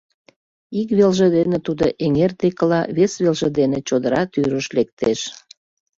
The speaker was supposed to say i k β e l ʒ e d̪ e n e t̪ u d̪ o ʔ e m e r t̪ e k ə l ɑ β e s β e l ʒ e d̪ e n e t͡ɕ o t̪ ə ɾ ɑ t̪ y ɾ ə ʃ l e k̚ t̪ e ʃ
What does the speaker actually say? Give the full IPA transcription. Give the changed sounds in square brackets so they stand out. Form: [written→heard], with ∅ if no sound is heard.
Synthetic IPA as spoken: i k β e l ʒ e d̪ e n e t̪ u d̪ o ʔ e [m→ŋ] e r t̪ e k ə l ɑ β e s β e l ʒ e d̪ e n e t͡ɕ o [t̪→d̪] ə ɾ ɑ t̪ y ɾ ə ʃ l e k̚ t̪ e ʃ